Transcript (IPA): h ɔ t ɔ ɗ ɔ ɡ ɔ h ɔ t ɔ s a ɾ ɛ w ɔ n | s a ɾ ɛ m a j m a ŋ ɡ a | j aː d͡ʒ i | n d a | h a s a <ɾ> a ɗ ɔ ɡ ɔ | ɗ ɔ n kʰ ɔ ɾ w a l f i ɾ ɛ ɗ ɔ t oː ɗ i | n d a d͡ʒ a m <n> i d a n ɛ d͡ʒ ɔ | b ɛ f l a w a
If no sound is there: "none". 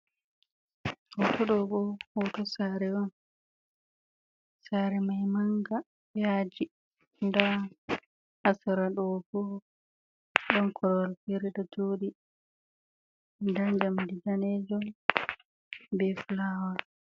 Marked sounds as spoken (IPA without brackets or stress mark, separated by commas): ɾ, d